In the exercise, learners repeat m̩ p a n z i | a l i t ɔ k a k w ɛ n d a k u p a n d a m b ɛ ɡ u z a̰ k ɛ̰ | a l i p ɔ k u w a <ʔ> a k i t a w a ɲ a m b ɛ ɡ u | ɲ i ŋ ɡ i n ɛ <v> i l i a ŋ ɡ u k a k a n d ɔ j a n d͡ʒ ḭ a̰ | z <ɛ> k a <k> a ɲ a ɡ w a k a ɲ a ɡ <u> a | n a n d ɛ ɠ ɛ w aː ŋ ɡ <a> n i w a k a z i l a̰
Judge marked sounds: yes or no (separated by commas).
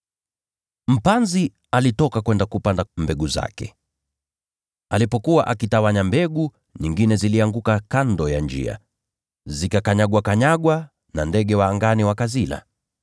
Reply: yes, no, no, yes, no, yes